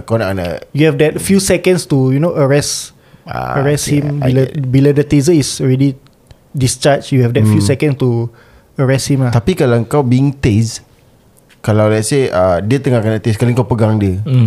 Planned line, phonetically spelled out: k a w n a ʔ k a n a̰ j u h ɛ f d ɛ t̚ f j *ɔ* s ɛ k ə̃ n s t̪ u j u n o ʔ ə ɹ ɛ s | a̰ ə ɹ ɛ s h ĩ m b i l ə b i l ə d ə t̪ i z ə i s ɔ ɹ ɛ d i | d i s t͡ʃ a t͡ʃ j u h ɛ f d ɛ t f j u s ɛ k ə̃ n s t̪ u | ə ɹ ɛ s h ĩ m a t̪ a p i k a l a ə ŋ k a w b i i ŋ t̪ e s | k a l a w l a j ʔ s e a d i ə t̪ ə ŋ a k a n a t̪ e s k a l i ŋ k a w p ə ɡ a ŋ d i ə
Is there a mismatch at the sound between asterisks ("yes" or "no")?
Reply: yes